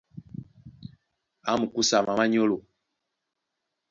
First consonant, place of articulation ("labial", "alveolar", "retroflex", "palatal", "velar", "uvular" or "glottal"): labial